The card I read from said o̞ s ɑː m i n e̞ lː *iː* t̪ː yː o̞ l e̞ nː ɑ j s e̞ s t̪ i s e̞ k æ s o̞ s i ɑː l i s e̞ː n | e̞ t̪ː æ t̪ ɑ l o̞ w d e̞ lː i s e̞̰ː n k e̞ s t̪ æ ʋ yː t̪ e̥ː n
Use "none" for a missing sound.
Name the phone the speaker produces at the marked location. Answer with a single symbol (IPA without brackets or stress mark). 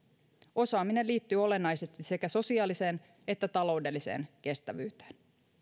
iː